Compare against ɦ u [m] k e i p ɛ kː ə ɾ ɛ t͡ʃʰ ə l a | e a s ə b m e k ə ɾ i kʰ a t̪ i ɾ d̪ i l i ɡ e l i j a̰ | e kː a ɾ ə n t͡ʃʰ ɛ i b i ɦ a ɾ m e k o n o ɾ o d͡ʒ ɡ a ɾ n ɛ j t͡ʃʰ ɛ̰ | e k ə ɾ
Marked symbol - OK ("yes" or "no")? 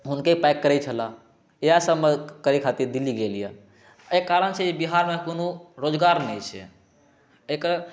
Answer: no